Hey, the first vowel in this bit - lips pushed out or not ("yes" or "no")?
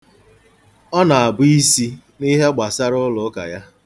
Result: yes